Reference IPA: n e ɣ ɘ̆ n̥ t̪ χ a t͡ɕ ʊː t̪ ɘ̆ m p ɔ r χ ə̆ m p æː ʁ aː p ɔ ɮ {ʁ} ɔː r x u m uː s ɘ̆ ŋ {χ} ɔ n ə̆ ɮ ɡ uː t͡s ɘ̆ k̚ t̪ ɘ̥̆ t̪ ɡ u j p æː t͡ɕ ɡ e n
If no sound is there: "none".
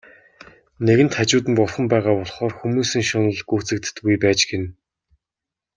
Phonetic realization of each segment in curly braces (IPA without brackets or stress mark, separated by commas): χ, ʃ